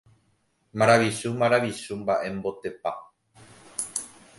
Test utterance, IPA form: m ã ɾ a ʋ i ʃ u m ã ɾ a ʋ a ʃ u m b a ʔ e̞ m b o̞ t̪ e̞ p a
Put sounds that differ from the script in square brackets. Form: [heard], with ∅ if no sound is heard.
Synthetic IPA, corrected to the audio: m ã ɾ a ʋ i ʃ u m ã ɾ a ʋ [i] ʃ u m b a ʔ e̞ m b o̞ t̪ e̞ p a